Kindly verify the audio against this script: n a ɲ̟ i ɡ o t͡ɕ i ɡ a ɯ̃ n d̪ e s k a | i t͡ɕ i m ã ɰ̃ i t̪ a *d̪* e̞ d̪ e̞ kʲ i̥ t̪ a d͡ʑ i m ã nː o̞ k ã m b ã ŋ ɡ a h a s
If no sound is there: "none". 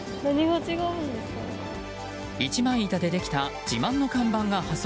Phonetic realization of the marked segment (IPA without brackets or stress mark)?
d̪